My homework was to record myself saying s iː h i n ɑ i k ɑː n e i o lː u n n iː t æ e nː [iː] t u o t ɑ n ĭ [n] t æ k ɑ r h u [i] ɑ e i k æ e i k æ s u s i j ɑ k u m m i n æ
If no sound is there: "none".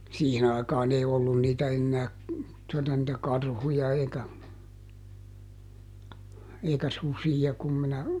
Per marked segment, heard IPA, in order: æː, none, j

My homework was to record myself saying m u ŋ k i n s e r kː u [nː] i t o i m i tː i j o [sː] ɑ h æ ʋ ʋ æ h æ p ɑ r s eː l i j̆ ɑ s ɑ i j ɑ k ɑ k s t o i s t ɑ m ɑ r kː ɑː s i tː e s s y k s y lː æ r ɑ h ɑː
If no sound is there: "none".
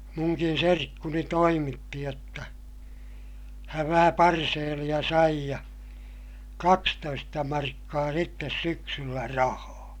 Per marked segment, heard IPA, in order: n, tː

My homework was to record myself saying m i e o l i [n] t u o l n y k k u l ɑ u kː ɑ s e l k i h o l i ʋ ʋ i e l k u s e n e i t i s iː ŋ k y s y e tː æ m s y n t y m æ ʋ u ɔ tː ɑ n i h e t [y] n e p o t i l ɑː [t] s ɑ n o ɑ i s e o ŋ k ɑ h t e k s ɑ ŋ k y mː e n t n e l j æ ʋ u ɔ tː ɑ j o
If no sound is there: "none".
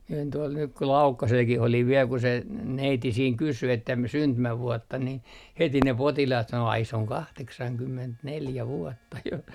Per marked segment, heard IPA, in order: n, i, t

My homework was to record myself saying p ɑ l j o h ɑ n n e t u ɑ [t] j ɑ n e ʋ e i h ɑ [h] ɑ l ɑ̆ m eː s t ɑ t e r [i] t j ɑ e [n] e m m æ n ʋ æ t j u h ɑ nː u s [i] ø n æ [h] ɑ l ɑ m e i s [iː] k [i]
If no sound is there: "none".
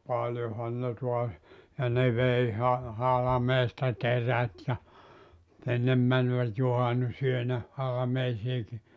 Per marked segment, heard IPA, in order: s, h, æ, nː, y, h, iː, i

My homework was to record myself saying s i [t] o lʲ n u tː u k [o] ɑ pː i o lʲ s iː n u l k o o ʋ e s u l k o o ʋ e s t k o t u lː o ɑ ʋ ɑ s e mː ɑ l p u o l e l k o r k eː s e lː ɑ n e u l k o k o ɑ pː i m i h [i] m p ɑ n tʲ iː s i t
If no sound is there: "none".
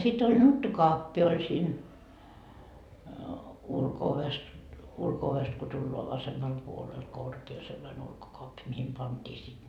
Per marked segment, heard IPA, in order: t, o, i

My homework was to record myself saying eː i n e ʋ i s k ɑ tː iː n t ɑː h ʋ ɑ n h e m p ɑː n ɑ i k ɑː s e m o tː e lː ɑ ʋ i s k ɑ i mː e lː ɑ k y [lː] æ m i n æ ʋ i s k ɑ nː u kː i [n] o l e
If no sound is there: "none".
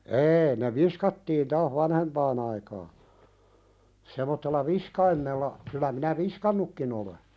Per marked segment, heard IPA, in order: l, n

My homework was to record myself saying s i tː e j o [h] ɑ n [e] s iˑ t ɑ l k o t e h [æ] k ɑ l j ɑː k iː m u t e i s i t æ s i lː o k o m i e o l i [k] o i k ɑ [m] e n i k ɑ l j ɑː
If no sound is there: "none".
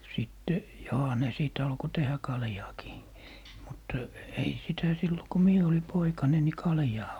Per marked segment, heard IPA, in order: h, e, æ, p, n

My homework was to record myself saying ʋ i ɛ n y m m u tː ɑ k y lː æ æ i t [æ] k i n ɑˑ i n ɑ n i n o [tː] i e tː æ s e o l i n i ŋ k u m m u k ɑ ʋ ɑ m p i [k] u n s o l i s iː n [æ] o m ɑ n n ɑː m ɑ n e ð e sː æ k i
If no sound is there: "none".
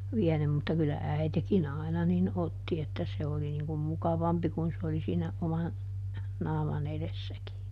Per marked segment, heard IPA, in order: e, tː, k, æ

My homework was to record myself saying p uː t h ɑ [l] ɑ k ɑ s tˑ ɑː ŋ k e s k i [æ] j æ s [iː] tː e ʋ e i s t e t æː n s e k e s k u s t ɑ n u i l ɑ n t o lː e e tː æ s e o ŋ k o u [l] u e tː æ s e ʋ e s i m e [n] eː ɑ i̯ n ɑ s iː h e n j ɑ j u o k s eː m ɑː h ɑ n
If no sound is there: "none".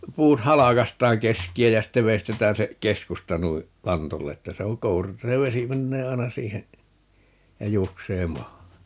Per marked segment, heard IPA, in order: l, æ, i, r, nː

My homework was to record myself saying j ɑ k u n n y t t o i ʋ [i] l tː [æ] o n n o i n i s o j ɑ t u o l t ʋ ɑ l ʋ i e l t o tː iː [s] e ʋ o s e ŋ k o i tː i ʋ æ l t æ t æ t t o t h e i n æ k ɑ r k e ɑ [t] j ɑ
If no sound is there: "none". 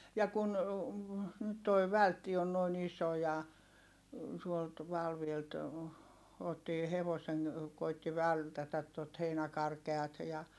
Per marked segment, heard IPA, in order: æ, i, h, t

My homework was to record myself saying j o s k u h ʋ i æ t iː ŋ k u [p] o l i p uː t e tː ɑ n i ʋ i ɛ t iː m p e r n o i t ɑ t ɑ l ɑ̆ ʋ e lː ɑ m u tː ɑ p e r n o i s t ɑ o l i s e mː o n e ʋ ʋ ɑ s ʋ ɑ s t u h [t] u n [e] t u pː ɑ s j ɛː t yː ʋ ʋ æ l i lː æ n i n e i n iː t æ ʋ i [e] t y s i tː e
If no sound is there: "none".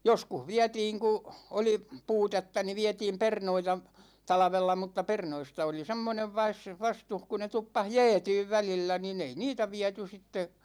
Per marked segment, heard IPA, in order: none, k, e, æ

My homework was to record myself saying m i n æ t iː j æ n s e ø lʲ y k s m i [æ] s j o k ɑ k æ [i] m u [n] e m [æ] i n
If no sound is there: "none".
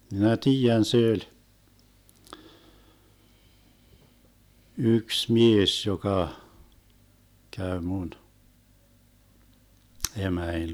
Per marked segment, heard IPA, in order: e, y, n, æ

